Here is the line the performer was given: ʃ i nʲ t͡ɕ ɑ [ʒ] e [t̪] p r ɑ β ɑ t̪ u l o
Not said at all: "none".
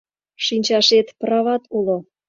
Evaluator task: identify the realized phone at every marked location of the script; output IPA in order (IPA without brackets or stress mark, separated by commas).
ʃ, t̪